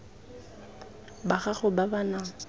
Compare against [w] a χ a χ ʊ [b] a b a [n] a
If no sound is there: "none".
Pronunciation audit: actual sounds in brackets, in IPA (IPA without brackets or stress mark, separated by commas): b, b, n